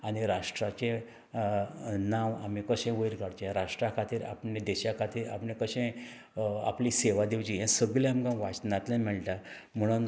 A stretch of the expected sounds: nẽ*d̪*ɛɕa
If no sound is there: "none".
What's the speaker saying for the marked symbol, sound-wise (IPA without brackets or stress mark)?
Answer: d̪